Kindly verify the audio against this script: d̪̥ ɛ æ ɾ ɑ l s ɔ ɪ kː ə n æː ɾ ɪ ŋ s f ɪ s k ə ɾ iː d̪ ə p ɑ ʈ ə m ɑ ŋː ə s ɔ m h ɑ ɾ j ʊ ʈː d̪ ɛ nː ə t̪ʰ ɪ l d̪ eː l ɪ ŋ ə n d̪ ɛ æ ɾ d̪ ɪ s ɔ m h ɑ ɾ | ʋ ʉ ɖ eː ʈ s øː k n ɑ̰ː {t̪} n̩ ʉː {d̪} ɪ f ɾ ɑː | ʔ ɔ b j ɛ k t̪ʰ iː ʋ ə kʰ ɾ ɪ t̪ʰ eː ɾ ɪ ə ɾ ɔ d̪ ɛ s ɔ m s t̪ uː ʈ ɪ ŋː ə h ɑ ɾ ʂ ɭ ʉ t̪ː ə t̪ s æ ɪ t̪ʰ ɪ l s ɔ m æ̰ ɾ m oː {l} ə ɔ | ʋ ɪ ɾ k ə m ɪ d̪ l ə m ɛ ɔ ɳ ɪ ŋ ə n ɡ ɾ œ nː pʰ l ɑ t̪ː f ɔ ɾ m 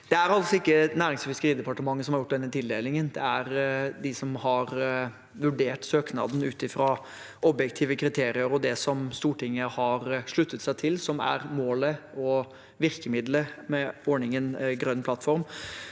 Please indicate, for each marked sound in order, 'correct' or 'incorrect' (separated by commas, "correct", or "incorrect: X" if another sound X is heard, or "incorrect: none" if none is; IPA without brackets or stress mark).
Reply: incorrect: d̪, incorrect: t̪, correct